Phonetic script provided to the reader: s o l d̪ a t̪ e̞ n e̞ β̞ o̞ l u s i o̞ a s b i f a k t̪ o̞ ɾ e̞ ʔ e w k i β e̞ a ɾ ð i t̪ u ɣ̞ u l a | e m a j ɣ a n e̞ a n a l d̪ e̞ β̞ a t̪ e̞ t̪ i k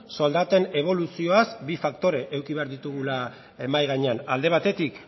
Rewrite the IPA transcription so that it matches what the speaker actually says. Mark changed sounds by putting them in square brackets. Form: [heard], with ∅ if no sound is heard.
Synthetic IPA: s o l d̪ a t̪ e̞ n e̞ β̞ o̞ l u s i o̞ a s b i f a k t̪ o̞ ɾ e̞ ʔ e w k i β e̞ a ɾ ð i t̪ u ɣ̞ u l a | e m a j ɣ a [ɲ] e̞ a n a l d̪ e̞ β̞ a t̪ e̞ t̪ i k